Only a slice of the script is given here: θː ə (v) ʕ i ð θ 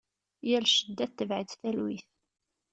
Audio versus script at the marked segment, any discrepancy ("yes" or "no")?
no